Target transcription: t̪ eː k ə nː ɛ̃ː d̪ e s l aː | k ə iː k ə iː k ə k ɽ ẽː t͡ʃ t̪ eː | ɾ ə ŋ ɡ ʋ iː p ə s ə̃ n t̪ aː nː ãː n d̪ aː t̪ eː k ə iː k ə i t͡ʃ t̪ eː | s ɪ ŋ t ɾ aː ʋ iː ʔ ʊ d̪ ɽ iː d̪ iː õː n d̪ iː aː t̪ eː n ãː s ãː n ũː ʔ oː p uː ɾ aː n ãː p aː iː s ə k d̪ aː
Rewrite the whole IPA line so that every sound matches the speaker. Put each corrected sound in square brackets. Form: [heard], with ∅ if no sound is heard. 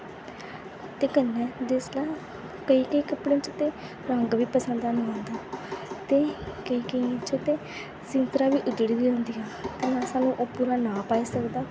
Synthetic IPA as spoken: t̪ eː k ə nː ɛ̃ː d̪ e s l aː | k ə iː k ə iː k ə [p] ɽ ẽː t͡ʃ t̪ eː | ɾ ə ŋ ɡ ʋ iː p ə s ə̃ n [d̪] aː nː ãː n d̪ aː t̪ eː k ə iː k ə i t͡ʃ t̪ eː | s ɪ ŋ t ɾ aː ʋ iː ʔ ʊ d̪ ɽ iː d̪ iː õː n d̪ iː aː t̪ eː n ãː s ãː n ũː ʔ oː p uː ɾ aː n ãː p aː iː s ə k d̪ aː